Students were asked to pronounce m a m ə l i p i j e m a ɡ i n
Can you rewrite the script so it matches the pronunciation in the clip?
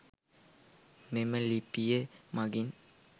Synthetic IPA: m e m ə l i p i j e m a ɡ i n